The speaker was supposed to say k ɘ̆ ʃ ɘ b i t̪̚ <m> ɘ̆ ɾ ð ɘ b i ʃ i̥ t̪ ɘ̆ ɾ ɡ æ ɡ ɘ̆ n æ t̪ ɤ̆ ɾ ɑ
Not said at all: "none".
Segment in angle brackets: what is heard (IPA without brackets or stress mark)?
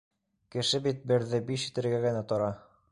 b